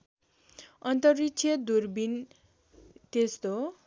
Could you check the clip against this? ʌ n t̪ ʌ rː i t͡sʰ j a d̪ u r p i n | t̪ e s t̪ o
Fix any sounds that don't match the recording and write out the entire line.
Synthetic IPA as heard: ʌ n t̪ ʌ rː i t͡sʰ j ʌ d̪ u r b i n | t̪ e s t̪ o